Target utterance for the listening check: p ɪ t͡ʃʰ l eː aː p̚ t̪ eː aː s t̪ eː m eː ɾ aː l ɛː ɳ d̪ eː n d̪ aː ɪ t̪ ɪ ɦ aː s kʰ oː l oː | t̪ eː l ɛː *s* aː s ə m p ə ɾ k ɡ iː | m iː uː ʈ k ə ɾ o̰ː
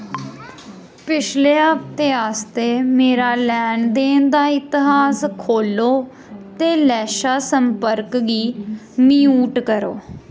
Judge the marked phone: incorrect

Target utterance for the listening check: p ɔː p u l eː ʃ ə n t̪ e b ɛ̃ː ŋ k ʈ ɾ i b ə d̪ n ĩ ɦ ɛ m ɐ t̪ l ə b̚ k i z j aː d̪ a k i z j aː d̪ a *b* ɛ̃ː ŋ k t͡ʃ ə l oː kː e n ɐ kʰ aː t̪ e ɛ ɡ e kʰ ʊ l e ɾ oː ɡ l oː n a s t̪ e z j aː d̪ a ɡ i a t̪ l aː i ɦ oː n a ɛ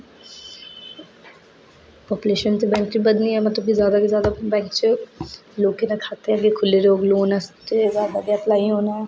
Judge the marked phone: correct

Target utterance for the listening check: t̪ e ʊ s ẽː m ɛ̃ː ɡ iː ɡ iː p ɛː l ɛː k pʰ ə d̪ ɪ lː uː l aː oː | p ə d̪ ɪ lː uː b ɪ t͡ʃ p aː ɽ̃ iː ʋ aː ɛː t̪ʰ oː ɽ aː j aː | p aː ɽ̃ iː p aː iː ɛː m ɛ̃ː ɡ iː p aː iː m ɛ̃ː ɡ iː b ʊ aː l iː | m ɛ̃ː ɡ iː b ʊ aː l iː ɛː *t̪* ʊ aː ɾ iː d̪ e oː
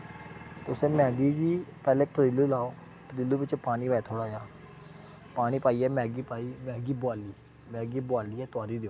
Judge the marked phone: correct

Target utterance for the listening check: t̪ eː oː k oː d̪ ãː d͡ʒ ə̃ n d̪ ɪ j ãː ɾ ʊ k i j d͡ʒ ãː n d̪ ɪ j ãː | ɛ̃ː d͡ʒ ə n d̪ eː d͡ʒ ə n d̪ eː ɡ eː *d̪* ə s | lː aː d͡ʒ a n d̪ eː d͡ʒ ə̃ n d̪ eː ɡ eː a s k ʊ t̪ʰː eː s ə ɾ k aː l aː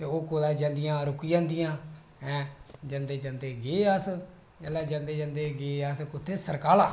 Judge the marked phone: incorrect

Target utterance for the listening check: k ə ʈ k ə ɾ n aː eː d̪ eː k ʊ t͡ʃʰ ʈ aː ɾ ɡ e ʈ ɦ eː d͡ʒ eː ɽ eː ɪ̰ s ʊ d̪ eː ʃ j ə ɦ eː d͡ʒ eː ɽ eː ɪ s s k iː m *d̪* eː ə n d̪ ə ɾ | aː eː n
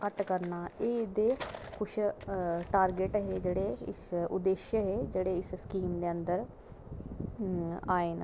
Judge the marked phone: correct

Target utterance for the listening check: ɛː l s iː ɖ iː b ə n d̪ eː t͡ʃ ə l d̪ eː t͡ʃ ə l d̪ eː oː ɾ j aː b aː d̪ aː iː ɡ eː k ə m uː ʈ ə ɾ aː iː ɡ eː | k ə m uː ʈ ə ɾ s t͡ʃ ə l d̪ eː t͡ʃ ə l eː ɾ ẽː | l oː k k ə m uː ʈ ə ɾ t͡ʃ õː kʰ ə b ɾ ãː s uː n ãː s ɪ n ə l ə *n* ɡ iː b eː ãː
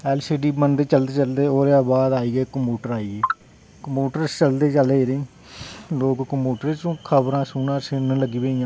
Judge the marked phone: incorrect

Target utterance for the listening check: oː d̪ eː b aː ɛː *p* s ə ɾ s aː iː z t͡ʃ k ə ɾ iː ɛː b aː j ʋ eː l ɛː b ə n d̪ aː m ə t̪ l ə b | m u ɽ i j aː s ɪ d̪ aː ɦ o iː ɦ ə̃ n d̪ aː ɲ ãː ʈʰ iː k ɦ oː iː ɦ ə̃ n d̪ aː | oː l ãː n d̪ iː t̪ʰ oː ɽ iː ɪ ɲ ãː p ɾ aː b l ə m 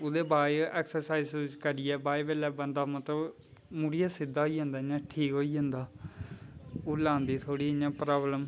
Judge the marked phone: incorrect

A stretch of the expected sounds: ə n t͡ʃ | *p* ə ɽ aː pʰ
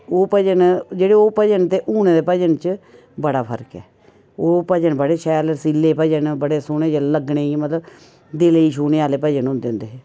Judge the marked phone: incorrect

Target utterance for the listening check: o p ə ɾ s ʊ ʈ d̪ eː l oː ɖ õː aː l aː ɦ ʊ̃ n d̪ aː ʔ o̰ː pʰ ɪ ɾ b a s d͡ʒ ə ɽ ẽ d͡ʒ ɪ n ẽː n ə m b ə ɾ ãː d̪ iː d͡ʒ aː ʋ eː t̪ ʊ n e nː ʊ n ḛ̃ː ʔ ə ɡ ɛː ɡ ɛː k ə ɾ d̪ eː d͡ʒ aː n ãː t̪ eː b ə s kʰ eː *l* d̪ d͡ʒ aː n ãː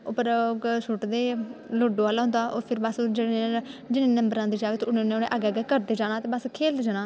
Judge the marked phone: correct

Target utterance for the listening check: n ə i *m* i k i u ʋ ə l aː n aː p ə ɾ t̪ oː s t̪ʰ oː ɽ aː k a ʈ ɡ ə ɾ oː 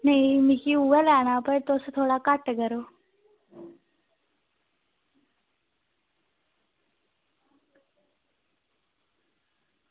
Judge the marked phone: correct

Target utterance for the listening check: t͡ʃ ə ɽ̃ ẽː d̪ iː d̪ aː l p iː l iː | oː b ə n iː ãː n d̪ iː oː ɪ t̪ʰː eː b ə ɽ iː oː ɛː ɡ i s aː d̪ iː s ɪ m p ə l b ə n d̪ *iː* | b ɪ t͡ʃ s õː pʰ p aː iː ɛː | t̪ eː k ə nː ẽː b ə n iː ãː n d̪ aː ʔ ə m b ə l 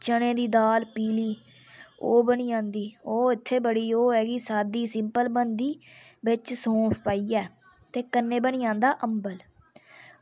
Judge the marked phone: correct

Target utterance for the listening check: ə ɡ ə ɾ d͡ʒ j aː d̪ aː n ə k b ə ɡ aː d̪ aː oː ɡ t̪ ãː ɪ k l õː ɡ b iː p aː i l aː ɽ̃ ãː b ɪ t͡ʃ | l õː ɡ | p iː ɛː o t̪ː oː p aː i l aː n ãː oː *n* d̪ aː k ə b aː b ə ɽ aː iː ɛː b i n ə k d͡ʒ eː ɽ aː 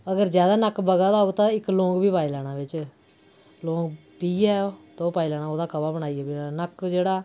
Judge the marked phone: incorrect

